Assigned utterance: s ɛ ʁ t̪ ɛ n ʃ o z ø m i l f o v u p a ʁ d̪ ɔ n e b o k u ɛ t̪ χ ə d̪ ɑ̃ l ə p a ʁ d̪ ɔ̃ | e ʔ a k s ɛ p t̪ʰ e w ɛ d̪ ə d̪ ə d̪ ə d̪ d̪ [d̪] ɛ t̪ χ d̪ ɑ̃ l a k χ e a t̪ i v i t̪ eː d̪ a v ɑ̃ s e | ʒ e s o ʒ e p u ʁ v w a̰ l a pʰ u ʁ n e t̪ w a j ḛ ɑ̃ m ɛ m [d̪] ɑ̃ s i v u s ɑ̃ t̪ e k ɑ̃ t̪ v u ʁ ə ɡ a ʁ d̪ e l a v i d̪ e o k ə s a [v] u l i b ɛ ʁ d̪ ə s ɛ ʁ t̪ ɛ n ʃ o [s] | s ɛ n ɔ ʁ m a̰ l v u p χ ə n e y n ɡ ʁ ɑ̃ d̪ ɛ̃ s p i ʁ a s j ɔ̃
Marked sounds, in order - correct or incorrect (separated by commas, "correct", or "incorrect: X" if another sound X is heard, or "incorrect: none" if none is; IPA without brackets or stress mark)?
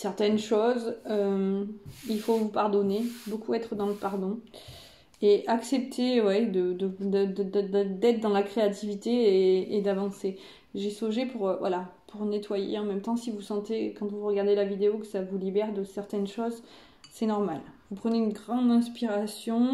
correct, incorrect: t̪, correct, incorrect: z